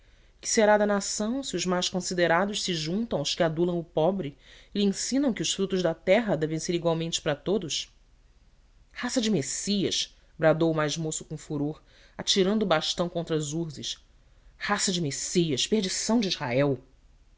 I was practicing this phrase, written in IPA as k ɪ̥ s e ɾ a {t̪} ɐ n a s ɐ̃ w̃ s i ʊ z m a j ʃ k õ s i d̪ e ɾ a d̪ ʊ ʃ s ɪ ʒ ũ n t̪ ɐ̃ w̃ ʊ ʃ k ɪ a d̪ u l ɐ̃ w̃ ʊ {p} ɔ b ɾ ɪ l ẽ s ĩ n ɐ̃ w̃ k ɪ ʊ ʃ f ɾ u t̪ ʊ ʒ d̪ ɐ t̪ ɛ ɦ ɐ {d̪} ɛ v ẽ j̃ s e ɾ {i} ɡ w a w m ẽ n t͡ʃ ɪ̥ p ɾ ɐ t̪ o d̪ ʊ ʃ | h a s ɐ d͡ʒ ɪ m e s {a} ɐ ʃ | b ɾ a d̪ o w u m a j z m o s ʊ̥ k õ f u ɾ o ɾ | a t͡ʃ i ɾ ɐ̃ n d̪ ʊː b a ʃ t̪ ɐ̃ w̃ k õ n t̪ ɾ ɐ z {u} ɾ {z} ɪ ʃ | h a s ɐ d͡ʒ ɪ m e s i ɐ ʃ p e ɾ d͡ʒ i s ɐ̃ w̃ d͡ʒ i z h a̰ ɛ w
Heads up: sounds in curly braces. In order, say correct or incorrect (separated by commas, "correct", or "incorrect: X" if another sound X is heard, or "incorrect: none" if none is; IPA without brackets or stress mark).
incorrect: d̪, correct, correct, correct, incorrect: i, correct, correct